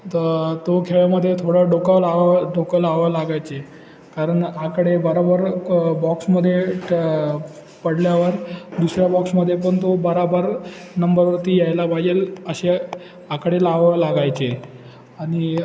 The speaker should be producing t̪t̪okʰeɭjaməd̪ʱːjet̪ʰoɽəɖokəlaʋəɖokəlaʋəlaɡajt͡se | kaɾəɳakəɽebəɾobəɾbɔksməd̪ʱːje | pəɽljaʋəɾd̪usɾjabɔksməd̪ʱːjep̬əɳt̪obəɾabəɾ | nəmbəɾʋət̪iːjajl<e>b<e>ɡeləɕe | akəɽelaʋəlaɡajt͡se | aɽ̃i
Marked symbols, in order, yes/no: no, no

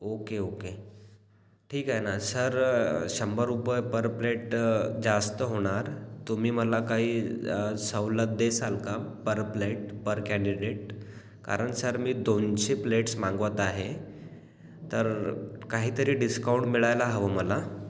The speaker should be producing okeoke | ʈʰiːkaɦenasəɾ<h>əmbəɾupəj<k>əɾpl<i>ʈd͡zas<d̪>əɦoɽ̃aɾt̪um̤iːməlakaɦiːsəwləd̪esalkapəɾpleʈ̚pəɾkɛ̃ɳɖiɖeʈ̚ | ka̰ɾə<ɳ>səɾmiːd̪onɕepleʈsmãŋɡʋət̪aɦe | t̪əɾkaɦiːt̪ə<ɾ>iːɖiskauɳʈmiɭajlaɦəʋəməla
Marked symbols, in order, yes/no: no, no, no, no, yes, yes

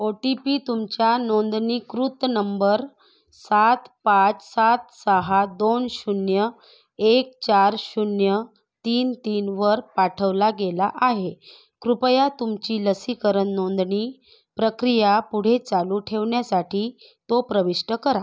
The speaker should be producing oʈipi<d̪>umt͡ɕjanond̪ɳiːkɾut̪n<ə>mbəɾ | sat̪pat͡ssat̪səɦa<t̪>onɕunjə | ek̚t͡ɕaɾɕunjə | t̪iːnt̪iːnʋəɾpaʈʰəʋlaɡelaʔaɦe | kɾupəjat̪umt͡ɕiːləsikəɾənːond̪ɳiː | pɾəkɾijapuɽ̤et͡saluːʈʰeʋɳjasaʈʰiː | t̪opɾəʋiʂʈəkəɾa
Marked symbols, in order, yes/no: no, yes, no

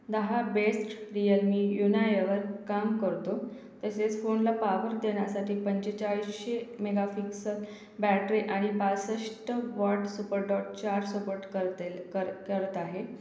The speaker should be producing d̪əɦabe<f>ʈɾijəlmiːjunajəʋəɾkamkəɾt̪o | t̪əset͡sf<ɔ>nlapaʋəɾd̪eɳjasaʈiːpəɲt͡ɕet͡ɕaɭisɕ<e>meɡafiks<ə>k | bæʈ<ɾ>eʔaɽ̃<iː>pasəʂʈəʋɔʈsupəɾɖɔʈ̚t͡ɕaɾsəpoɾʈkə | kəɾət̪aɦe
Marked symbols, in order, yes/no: no, no, yes, yes, yes, no

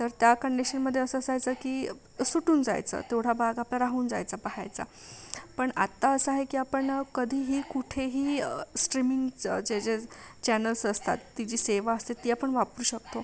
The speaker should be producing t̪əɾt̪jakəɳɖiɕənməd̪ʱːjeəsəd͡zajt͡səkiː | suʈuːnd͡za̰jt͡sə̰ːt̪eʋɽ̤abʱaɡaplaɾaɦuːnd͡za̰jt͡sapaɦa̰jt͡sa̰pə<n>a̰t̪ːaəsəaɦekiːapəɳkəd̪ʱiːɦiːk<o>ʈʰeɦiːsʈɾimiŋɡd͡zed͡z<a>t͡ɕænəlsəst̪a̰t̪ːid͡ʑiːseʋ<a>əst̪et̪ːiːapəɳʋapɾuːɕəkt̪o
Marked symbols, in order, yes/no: no, no, no, yes

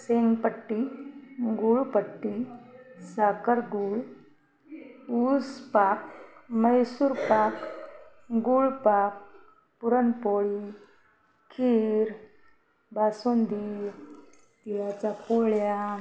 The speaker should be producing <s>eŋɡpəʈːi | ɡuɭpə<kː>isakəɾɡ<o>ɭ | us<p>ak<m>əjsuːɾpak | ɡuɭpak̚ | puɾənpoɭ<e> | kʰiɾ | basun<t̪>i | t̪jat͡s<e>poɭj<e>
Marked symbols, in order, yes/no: yes, no, no, yes, yes, no, no, no, no

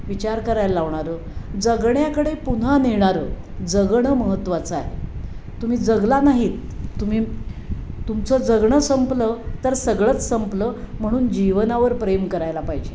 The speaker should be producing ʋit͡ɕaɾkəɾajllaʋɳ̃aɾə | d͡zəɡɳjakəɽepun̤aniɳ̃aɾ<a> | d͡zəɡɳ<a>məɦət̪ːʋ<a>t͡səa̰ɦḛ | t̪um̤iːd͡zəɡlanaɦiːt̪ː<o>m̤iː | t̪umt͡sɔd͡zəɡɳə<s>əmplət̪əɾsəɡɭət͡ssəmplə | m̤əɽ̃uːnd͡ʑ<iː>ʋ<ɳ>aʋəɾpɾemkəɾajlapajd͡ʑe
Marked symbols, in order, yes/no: no, no, yes, no, yes, no, no

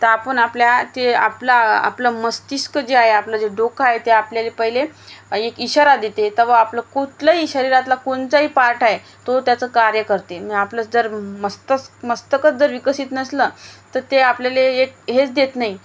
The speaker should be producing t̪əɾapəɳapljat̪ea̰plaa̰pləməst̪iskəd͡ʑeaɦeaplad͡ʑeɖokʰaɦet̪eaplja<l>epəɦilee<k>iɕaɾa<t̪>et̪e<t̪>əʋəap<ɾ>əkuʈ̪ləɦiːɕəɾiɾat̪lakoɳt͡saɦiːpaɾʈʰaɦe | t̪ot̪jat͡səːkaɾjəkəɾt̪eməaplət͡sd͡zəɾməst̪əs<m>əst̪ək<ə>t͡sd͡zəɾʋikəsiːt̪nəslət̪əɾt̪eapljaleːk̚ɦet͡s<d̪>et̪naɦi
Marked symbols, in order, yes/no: yes, yes, no, yes, no, yes, yes, yes

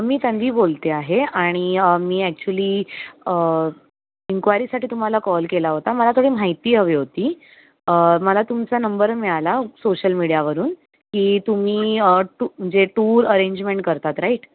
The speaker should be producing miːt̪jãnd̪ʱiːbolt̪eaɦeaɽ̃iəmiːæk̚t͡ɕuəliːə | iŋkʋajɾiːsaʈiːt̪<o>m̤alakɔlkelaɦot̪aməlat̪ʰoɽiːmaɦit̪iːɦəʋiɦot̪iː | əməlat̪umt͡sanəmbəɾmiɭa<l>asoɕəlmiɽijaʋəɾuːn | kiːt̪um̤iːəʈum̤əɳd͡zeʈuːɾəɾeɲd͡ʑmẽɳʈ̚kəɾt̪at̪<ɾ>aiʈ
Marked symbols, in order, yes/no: no, yes, yes

